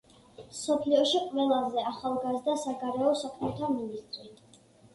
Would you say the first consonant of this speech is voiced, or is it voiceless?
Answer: voiced